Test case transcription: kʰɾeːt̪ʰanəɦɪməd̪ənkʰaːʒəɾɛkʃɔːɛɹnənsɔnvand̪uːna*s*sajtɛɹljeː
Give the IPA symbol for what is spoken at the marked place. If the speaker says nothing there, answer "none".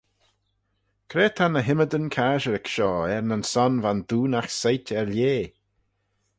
x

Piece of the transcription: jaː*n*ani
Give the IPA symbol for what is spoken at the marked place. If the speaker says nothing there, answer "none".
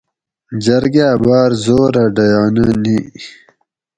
n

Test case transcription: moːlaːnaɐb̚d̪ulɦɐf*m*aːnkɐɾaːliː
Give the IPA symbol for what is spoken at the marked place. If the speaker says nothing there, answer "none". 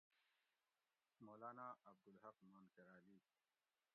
m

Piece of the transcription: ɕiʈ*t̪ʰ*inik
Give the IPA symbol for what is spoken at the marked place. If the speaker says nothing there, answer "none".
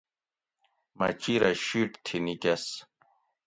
t̪ʰ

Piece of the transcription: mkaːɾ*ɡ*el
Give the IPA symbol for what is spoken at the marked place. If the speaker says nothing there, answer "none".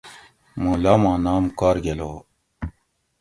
ɡ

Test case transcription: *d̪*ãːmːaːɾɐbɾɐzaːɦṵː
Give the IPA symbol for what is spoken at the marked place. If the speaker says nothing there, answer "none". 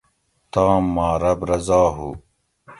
t̪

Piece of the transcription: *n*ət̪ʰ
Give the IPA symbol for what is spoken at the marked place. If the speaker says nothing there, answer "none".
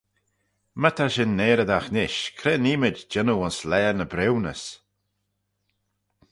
m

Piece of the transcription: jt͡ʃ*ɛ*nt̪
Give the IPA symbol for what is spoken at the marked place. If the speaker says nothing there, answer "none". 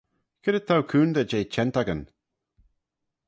ɛ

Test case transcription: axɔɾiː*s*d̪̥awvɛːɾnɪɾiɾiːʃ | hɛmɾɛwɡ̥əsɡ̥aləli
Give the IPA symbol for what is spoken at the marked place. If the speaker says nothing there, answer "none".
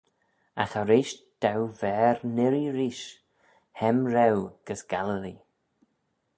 ʃ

